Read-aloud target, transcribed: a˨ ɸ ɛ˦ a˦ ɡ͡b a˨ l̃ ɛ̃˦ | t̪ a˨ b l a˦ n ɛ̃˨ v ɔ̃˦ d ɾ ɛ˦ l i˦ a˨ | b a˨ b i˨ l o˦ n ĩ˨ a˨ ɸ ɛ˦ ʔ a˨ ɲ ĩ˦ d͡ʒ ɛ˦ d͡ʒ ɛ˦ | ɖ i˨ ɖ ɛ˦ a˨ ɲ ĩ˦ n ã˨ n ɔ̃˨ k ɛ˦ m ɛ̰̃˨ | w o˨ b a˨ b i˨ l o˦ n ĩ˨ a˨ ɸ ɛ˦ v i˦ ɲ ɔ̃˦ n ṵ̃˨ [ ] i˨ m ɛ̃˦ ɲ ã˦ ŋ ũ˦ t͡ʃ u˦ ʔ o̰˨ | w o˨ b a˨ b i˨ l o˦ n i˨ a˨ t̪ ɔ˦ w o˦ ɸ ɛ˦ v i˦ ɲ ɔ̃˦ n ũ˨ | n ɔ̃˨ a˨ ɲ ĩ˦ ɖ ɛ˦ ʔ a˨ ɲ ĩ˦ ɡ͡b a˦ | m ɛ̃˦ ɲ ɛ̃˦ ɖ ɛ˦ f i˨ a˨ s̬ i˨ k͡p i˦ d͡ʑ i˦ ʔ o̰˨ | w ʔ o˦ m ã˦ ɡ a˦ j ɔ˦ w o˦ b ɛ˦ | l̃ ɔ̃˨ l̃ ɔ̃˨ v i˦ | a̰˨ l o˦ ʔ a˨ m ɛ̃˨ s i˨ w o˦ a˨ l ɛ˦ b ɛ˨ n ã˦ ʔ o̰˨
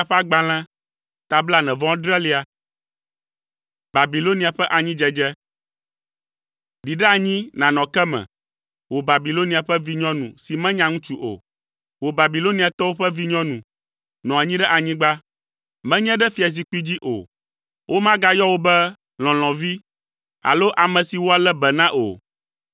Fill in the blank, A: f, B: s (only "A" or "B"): B